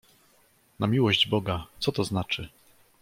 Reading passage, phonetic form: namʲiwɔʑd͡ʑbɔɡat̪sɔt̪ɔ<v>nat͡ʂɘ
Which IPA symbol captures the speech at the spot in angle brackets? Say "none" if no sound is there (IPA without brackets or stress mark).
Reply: z